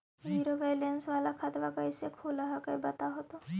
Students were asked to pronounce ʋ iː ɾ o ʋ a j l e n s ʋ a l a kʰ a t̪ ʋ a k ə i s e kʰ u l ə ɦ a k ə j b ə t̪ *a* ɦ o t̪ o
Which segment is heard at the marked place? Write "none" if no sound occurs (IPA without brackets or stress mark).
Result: a